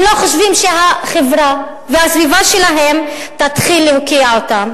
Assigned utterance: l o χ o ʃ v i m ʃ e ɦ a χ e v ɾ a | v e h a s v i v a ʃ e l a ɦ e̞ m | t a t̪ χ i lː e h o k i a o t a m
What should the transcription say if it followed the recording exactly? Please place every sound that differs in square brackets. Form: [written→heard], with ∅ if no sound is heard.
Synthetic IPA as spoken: l o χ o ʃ v i m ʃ e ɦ a χ e v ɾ a | v e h a s v i v a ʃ e l a ɦ e̞ m | t a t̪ χ i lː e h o k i a o t a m

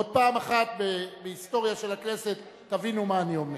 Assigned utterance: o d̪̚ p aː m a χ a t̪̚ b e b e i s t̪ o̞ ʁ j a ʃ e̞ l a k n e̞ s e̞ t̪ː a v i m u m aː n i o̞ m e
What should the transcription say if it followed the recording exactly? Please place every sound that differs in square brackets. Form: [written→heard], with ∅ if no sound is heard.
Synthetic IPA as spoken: o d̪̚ p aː m a χ a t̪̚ b e b e i s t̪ o̞ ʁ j a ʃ e̞ l a k n e̞ s e̞ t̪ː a v i [m→n] u m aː n i o̞ m e

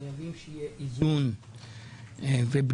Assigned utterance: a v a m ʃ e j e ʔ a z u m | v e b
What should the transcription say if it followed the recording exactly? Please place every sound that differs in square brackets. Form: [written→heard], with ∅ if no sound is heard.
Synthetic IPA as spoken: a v [a→i] m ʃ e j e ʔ [a→i] z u [m→n] | v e b

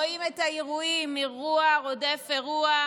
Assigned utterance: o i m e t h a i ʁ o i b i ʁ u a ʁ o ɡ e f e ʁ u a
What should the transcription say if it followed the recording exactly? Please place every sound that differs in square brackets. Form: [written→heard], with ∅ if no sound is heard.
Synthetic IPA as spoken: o i m e t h a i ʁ [o→u] i [b→m] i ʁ u a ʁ o [ɡ→d] e f e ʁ u a

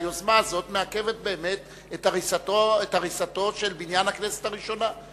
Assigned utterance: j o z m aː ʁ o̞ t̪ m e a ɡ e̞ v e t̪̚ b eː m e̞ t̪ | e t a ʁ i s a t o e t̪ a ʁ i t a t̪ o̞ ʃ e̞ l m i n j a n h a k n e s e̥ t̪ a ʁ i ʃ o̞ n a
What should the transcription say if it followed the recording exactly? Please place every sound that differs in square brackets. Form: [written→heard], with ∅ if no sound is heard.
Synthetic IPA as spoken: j o z m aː [ʁ→z] o̞ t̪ m e a [ɡ→k] e̞ v e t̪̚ b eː m e̞ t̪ | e t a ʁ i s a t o e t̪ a ʁ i [t→s] a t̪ o̞ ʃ e̞ l [m→b] i n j a n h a k n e s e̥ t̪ a ʁ i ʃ o̞ n a

